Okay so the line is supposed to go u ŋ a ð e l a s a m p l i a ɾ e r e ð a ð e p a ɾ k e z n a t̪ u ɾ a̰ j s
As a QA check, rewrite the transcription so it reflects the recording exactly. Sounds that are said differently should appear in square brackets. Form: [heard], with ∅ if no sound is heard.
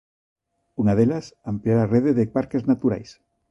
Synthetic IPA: u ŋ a ð e l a s a m p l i a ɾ [a] r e ð [e] ð e p a ɾ k e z n a t̪ u ɾ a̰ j s